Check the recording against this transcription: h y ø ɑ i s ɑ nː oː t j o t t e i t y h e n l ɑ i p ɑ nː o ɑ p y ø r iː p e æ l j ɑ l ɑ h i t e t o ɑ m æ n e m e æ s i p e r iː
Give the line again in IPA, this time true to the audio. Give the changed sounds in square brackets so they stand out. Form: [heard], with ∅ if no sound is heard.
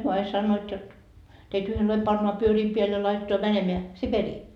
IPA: h y ø ɑ i s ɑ nː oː t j o t t e i t y h e n l ɑ i p ɑ nː o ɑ p y ø r iː p e æ l j ɑ l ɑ [∅] i t e t o ɑ m æ n e m e æ s i p e r iː